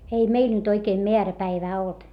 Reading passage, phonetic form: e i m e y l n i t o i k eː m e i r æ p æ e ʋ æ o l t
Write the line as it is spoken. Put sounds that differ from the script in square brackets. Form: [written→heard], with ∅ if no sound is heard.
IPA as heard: e i m e [y→i] l n [i→y] t o i k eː m e [i→æ] r æ p æ [e→i] ʋ [æ→æː] o l t